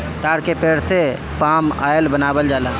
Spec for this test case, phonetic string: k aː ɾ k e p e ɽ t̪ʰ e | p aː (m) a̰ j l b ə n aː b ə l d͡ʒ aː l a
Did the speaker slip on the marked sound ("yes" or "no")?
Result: no